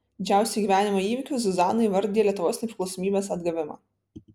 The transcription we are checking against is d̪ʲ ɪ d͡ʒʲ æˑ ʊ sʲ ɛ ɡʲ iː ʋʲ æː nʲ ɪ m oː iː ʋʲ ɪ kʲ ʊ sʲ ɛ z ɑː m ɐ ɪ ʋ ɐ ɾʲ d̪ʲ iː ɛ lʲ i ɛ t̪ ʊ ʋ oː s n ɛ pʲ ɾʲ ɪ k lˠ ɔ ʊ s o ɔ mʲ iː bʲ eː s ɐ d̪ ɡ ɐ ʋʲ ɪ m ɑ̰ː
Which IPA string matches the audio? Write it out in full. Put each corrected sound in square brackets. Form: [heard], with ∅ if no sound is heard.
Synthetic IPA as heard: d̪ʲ ɪ d͡ʒʲ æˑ ʊ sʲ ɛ ɡʲ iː ʋʲ æː nʲ ɪ m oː iː ʋʲ ɪ kʲ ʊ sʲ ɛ z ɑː [n] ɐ ɪ ʋ ɐ ɾʲ d̪ʲ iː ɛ lʲ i ɛ t̪ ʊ ʋ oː s n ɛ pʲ ɾʲ ɪ k lˠ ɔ ʊ s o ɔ mʲ iː bʲ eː s ɐ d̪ ɡ ɐ ʋʲ ɪ m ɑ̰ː